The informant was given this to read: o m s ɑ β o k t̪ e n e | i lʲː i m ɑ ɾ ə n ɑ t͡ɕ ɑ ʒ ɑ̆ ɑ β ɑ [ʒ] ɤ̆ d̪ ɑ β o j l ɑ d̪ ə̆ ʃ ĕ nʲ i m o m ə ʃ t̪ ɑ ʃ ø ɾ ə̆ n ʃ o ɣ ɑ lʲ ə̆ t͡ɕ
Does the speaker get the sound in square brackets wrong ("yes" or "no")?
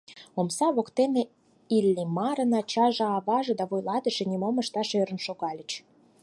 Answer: no